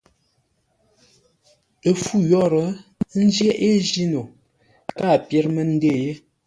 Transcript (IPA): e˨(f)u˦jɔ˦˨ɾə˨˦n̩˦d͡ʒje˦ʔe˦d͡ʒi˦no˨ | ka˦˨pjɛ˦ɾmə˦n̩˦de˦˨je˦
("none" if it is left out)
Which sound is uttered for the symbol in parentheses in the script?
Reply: f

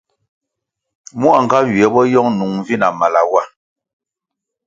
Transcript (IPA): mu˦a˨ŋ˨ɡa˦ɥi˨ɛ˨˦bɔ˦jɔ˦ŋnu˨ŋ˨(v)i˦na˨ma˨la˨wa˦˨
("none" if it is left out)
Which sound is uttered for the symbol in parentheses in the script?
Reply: v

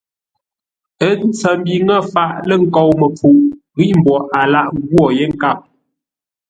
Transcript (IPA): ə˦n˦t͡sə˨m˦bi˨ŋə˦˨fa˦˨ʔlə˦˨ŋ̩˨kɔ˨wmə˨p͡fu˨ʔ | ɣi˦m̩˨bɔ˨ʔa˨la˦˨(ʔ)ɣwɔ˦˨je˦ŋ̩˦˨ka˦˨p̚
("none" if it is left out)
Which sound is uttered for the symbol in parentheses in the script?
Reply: ʔ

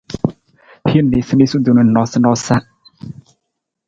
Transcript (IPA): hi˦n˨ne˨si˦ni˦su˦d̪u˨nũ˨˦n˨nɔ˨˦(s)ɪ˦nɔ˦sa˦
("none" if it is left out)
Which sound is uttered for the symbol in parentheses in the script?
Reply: s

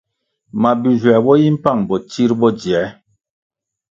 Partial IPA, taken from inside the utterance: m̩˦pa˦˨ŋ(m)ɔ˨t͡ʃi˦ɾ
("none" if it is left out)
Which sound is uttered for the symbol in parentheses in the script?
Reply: b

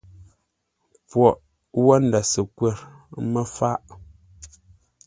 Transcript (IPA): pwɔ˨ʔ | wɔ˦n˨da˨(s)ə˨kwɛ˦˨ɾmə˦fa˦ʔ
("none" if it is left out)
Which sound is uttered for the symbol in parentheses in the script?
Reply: s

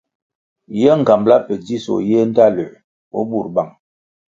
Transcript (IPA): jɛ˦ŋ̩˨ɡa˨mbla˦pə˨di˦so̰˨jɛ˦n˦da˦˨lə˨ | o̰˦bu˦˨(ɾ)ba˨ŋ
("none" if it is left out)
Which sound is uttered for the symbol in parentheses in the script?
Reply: ɾ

